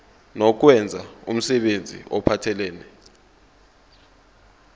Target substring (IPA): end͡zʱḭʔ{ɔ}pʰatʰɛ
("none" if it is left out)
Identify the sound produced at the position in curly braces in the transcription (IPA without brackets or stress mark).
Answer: ɔ